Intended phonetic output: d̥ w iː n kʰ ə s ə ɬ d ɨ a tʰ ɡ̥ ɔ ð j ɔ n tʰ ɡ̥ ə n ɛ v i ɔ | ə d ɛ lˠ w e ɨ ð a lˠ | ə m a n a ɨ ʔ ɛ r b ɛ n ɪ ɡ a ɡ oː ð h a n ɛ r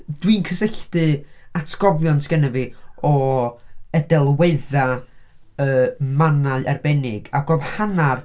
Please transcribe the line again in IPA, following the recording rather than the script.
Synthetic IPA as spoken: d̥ w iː n kʰ ə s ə ɬ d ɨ a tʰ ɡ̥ ɔ v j ɔ n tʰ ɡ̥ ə n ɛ v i ɔ | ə d ɛ lˠ w e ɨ ð a | ə m a n a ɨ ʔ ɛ r b ɛ n ɪ ɡ a ɡ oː ð h a n a r